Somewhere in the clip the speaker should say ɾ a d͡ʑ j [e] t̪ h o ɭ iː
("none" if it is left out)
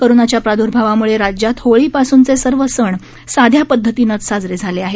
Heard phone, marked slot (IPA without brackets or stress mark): a